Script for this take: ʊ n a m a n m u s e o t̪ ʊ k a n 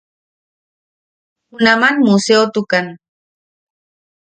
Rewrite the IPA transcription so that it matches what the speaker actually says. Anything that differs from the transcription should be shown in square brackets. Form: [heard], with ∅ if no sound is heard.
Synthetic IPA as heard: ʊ n a m a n m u s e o t̪ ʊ k a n